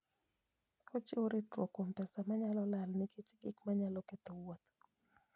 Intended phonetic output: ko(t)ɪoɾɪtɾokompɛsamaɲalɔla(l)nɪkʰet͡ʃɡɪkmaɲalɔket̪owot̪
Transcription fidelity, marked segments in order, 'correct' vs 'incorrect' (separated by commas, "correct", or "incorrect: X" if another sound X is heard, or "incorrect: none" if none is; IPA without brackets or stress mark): incorrect: t͡ʃ, correct